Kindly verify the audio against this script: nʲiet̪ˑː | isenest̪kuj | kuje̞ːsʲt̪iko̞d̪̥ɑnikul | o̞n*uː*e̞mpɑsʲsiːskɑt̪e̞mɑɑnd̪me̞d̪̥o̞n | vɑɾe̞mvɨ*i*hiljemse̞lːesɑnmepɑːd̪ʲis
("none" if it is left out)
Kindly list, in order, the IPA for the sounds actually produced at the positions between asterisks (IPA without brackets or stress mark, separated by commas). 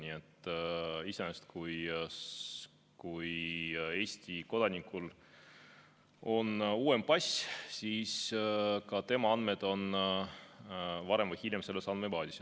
uː, j